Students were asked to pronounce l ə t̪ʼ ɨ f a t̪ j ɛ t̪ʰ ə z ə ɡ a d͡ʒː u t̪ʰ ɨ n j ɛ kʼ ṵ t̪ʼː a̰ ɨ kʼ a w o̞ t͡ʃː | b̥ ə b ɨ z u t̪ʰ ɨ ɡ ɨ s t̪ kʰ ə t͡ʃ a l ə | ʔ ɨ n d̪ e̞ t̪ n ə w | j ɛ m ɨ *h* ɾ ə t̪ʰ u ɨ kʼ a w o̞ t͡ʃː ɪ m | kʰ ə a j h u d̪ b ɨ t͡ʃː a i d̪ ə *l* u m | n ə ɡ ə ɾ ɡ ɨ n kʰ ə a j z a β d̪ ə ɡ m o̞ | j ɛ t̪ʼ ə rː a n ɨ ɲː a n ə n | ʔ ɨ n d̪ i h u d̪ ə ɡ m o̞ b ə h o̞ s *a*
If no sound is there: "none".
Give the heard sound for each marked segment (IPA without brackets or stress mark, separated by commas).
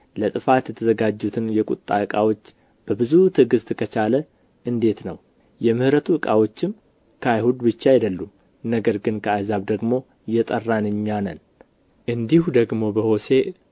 h, lː, e